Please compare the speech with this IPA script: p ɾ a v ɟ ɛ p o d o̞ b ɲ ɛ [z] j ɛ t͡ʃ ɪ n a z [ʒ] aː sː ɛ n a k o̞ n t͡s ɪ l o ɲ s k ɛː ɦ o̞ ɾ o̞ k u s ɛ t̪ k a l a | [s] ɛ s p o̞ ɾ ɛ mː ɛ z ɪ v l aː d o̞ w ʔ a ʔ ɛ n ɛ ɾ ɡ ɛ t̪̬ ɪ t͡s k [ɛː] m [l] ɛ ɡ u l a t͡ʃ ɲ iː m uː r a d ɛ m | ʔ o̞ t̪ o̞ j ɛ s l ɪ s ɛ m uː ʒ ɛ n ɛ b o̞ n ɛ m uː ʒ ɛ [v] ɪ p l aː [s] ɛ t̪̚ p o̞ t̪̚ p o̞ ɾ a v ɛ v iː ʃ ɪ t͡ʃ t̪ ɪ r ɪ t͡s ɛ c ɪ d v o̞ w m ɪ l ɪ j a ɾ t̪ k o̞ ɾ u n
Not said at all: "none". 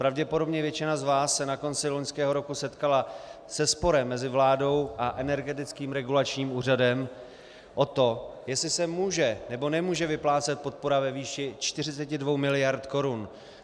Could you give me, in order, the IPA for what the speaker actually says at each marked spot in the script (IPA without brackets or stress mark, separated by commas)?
v, v, s, iː, ɾ, v, t͡s